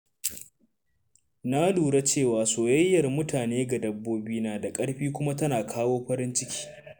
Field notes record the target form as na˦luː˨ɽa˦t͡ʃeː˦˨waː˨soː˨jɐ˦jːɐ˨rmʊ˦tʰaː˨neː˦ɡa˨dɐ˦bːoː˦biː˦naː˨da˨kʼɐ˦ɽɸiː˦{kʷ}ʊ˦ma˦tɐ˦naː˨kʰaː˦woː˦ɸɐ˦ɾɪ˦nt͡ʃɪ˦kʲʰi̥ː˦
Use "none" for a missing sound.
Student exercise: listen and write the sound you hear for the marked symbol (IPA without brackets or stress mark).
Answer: kʷ